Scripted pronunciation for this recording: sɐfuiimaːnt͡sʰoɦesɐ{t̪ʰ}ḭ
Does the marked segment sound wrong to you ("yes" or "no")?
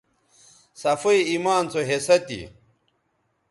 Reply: yes